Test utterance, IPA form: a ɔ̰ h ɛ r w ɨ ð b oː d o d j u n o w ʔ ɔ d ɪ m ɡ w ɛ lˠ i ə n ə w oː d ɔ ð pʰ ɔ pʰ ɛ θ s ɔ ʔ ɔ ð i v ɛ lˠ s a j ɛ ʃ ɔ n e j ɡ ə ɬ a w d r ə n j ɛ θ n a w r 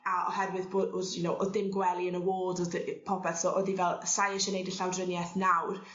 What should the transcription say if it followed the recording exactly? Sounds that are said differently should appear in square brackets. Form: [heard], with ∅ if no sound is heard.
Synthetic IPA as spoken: a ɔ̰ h ɛ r w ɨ ð b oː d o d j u n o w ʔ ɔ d ɪ m ɡ w ɛ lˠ i ə n ə w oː d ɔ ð pʰ ɔ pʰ ɛ θ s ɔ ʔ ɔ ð i v ɛ lˠ s a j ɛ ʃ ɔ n e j [d] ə ɬ a w d r ə n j ɛ θ n a w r